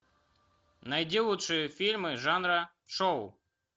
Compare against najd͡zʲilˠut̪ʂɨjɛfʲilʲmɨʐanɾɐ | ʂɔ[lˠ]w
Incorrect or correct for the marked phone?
incorrect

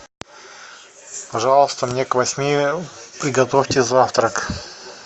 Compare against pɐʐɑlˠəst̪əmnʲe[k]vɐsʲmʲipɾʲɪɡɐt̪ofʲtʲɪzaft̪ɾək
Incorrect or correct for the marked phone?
correct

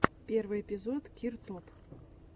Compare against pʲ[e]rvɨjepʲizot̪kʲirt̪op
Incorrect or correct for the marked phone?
correct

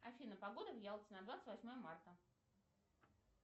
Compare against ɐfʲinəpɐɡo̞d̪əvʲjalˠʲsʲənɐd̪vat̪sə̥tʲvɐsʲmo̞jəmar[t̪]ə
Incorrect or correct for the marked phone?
correct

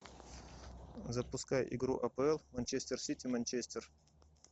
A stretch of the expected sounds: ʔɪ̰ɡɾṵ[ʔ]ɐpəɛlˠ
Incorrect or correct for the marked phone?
correct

